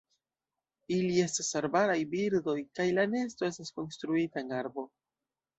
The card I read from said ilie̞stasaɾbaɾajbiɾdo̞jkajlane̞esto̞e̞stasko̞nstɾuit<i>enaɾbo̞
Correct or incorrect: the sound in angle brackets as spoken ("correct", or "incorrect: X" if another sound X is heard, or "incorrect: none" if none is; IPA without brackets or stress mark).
incorrect: a